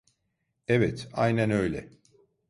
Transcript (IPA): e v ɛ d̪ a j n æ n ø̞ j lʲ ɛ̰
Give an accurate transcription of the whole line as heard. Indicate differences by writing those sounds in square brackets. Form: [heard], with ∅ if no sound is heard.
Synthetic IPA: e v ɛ [t̪] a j n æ n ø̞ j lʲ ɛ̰